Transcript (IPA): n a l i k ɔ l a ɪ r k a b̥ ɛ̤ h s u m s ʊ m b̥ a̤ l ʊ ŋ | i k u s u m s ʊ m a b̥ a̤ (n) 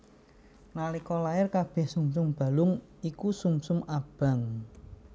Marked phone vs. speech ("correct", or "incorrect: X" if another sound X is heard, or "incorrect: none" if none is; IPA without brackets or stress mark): incorrect: ŋ